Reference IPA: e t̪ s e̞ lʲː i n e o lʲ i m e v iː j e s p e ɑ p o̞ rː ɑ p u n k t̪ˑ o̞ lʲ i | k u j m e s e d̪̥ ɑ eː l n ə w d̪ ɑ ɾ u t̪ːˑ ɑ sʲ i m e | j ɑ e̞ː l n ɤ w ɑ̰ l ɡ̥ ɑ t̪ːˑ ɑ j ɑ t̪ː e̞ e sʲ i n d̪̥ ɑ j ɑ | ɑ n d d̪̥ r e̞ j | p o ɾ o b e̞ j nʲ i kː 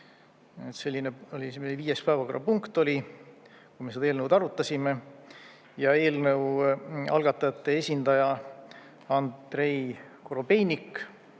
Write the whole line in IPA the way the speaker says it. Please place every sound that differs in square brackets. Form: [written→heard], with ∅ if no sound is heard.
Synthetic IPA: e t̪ s e̞ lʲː i n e o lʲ i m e v iː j e s p [e→æ] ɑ [p→k] o̞ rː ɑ p u [n→ŋ] k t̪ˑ o̞ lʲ i | k u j m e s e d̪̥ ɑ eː l n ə w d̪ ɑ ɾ u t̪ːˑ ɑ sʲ i m e | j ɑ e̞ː l n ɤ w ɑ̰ l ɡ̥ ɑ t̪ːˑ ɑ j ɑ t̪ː e̞ e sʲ i n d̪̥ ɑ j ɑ | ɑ n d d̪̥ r e̞ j | [p→k] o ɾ o b e̞ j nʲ i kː

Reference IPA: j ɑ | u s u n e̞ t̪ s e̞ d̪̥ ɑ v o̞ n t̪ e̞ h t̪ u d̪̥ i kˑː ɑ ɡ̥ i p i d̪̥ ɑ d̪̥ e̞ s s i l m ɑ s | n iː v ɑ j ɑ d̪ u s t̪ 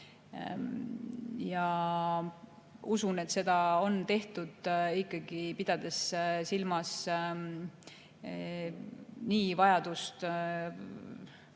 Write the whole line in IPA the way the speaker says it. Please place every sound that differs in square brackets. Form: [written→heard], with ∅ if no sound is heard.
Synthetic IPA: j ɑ | u s u n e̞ t̪ s e̞ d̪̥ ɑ [v→∅] o̞ n t̪ e̞ h t̪ u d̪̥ i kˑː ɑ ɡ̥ i p i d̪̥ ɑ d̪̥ e̞ s s i l m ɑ s | n iː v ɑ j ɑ d̪ u s t̪

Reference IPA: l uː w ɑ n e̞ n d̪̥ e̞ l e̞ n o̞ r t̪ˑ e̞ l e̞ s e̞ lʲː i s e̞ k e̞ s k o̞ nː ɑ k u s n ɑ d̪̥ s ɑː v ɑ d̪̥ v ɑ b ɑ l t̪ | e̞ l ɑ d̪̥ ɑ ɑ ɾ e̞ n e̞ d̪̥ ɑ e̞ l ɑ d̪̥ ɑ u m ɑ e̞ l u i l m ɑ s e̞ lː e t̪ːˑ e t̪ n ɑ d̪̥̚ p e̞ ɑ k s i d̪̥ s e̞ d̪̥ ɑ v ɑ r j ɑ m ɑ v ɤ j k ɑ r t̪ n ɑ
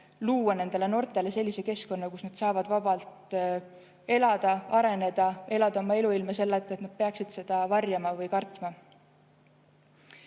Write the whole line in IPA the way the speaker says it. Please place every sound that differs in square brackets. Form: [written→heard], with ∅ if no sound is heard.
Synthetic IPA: l uː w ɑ n e̞ n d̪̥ e̞ l e̞ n o̞ r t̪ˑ e̞ l e̞ s e̞ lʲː i s e̞ k e̞ s k o̞ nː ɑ k u s n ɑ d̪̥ s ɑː v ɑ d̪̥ v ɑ b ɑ l t̪ | e̞ l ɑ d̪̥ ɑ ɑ ɾ e̞ n e̞ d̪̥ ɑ e̞ l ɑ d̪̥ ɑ [u→o] m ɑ e̞ l u i l m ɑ s e̞ lː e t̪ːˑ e t̪ n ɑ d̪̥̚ p e̞ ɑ k s i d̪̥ s e̞ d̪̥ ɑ v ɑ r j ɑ m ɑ v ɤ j k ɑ r t̪ [n→m] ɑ

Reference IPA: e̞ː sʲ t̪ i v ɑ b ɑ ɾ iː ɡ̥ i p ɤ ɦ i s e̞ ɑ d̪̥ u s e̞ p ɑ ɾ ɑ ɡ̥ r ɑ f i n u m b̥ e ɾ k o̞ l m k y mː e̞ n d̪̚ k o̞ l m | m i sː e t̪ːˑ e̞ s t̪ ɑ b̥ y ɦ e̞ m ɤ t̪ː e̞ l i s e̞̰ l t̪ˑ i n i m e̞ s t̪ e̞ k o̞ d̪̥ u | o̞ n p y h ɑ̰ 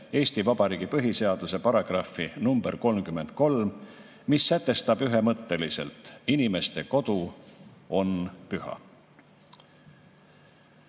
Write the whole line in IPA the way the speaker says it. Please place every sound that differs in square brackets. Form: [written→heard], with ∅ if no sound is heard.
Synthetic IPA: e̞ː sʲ t̪ i v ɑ b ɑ ɾ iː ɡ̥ i p ɤ ɦ i s e̞ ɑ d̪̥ u s e̞ p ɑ ɾ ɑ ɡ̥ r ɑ f i n u m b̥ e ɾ k o̞ l m k y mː e̞ n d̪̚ k o̞ l m | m i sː [e→æ] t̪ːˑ e̞ s t̪ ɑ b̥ y ɦ e̞ m ɤ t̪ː e̞ l i s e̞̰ l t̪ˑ i n i m e̞ s t̪ e̞ k o̞ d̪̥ u | o̞ n p y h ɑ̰

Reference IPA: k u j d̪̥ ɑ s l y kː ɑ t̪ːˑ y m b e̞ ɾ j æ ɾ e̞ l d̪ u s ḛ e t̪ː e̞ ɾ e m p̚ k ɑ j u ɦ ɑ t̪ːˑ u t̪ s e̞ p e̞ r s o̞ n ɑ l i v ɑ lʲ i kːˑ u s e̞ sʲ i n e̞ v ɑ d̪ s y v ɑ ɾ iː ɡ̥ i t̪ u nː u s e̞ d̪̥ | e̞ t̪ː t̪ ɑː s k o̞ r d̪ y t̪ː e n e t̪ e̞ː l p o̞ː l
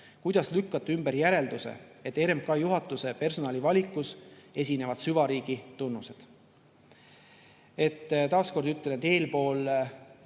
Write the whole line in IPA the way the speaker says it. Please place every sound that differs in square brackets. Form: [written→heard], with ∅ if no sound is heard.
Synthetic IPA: k u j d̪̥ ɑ s l y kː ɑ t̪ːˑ y m b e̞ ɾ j æ ɾ e̞ l d̪ u s ḛ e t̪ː e̞ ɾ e m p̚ k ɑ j u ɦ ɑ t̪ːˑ u [t̪→∅] s e̞ p e̞ r s o̞ n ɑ l i v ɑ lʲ i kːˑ u s e̞ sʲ i n e̞ v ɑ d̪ s y v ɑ ɾ iː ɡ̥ i t̪ u nː u s e̞ d̪̥ | e̞ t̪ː t̪ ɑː s k o̞ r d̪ y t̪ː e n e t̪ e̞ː l p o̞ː l

